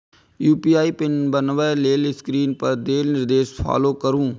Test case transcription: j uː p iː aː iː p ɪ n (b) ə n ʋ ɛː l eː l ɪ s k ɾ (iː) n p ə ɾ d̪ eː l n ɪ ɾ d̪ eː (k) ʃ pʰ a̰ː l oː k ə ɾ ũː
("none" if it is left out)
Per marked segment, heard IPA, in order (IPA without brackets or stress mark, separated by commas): b, iː, none